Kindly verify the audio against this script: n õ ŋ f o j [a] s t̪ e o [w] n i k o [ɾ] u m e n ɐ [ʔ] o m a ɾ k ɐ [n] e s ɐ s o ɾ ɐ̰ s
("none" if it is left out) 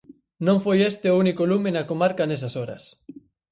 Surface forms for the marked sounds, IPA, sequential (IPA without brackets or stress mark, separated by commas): e, u, l, k, n